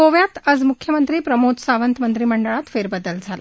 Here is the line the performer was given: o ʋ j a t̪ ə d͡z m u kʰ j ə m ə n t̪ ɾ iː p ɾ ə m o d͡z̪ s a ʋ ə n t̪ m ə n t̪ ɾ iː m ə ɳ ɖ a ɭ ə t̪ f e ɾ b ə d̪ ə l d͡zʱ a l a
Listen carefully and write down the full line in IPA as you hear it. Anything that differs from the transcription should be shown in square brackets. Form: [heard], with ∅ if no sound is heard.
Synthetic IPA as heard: o ʋ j a t̪ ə d͡z m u kʰ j ə m ə n t̪ ɾ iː p ɾ ə m o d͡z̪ s a ʋ ə n t̪ m ə n t̪ ɾ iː m ə ɳ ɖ [ə] ɭ [a] t̪ f e ɾ b ə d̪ ə l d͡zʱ a l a